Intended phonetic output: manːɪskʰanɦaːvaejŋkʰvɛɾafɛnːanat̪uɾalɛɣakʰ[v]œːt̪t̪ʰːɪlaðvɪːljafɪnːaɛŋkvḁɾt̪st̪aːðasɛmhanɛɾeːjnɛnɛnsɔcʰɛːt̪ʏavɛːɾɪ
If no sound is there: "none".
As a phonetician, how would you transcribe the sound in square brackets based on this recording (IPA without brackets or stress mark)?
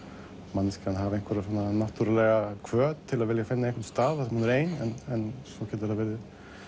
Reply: v